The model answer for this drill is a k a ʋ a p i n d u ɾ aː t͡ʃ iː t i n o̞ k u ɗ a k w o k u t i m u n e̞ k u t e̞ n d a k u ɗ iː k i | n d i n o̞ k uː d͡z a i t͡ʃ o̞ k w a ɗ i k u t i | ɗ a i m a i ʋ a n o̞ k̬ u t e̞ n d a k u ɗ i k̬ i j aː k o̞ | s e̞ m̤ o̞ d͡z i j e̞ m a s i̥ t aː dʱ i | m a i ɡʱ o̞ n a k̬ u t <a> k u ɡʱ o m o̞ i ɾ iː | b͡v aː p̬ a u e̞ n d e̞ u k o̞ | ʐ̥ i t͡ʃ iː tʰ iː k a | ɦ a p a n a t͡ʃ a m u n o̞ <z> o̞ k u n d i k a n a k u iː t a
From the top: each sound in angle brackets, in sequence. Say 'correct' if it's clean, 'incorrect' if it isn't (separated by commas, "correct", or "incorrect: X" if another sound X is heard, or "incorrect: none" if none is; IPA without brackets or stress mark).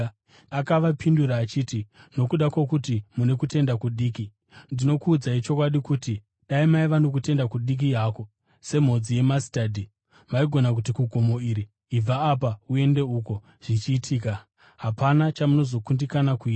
incorrect: i, correct